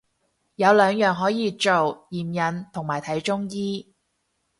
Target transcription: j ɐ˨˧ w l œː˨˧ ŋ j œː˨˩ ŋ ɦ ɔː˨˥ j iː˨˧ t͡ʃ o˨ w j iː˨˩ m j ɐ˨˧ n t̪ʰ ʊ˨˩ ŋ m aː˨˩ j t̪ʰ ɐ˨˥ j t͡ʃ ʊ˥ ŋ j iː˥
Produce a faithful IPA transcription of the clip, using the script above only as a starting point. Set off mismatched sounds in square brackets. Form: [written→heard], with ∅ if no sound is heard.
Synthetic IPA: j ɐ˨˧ w l œː˨˧ ŋ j œː˨˩ ŋ ɦ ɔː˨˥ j iː˨˧ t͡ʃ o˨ w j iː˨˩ m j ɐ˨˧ n t̪ʰ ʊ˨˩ ŋ m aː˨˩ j t̪ʰ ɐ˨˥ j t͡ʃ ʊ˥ ŋ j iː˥